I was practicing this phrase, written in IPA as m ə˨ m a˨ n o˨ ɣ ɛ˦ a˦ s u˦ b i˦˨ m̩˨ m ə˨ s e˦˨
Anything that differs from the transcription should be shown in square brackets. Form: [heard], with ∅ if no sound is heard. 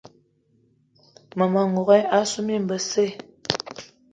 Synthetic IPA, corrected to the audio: m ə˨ m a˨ [ŋ] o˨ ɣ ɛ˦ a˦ s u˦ [m] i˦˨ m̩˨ [b] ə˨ s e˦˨